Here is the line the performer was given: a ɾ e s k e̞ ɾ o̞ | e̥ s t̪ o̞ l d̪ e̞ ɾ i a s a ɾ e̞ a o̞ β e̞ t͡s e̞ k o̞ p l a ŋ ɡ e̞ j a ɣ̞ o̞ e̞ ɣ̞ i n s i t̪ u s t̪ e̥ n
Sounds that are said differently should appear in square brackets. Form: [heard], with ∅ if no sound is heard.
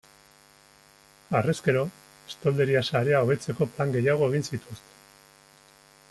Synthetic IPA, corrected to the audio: a [r] e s k e̞ ɾ o̞ | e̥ s t̪ o̞ l d̪ e̞ ɾ i a s a ɾ e̞ a o̞ β e̞ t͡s e̞ k o̞ p l a ŋ ɡ e̞ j a ɣ̞ o̞ e̞ ɣ̞ i n s i t̪ u s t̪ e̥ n